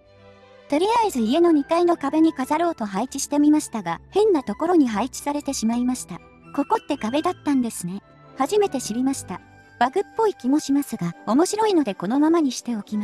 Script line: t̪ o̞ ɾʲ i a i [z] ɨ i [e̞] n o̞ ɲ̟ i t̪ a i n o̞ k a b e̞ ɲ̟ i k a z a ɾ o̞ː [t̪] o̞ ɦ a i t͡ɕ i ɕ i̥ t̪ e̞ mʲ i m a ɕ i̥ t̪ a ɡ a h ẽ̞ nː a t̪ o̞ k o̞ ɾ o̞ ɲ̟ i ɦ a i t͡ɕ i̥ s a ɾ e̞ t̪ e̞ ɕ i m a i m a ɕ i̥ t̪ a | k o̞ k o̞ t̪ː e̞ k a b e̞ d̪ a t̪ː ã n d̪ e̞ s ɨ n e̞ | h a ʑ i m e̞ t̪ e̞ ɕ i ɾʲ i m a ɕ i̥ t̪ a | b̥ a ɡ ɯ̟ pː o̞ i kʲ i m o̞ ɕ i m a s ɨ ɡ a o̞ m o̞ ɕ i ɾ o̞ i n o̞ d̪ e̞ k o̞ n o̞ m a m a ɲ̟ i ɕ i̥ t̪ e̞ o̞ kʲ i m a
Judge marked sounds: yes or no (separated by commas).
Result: yes, yes, yes